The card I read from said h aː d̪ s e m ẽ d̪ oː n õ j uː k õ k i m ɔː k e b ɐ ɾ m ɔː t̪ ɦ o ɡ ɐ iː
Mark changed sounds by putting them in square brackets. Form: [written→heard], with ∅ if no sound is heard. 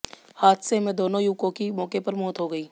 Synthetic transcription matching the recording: h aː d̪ s e m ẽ d̪ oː n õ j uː k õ k i m ɔː k e [b→p] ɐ ɾ m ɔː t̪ ɦ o ɡ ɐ iː